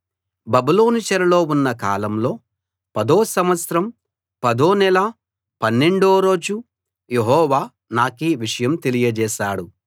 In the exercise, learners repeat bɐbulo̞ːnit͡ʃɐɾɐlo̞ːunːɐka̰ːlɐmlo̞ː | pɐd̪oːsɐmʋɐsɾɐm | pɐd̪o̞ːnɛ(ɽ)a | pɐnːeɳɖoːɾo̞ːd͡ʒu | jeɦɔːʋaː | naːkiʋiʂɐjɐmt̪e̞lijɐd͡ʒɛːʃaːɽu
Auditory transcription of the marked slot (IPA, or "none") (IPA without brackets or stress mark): l